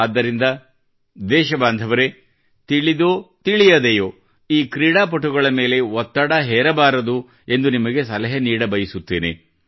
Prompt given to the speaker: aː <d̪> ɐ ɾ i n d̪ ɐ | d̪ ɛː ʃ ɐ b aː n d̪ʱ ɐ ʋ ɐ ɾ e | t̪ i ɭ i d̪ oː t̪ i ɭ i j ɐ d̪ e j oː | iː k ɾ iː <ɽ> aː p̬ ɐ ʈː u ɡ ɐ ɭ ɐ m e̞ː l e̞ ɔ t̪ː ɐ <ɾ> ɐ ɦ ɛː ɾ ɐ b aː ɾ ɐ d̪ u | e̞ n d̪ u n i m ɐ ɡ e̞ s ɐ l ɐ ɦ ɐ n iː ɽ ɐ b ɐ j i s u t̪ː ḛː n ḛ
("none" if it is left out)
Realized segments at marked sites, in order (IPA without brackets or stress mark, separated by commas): d̪ː, ɽ, ɽ